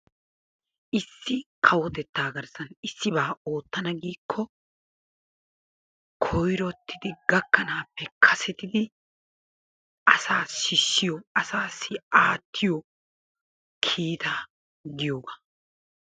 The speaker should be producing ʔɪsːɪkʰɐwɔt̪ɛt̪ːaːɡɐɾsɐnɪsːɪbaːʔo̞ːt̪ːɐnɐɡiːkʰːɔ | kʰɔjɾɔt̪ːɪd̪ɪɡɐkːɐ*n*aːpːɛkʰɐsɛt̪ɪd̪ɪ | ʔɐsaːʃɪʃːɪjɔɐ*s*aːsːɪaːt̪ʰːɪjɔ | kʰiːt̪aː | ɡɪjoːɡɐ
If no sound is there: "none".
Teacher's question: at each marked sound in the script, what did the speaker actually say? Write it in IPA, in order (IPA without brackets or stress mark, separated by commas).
n, s